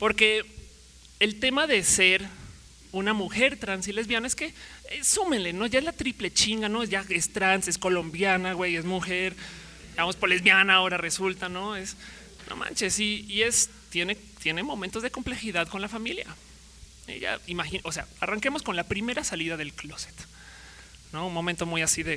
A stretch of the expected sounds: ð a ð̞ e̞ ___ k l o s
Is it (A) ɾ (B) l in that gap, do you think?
B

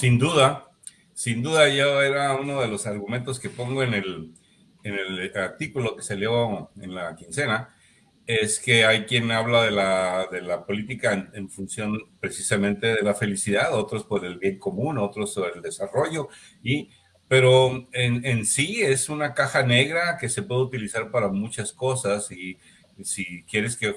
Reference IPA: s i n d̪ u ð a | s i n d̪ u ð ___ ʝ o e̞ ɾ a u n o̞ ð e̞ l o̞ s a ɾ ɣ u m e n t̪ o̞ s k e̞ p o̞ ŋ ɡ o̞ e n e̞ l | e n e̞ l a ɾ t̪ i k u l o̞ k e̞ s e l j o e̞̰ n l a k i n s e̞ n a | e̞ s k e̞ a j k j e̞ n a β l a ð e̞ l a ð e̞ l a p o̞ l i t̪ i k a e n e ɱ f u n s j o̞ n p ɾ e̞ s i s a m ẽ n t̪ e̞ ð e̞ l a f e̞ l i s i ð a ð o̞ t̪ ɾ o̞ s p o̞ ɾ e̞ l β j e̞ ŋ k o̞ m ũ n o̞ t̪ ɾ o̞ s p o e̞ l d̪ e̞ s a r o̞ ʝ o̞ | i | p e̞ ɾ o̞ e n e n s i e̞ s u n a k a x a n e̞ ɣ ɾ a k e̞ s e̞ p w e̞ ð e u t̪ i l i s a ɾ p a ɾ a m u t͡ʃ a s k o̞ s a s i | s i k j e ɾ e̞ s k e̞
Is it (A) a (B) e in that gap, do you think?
A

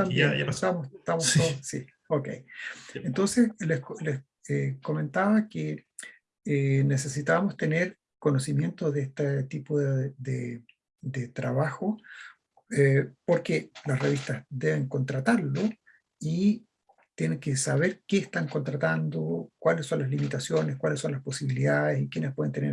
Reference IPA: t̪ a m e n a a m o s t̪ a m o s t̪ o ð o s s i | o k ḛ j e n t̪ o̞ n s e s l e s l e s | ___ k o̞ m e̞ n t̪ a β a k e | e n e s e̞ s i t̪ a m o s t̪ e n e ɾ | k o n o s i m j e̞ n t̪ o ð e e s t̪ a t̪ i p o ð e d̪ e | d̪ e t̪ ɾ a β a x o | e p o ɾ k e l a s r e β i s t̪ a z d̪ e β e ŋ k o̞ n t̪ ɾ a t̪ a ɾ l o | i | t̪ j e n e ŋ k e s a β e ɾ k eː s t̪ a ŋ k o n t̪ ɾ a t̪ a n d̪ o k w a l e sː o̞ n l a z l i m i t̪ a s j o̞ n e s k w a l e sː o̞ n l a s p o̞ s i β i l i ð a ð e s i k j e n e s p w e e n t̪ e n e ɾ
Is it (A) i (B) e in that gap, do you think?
B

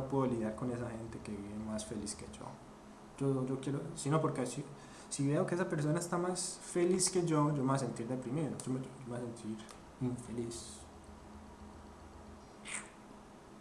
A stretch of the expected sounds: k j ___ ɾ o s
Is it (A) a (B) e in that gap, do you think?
B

